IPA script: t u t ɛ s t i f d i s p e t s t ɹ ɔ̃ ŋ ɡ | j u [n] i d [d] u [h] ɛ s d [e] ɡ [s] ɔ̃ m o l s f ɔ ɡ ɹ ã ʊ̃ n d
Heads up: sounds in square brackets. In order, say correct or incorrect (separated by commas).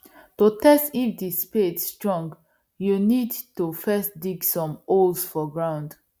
correct, incorrect, incorrect, incorrect, correct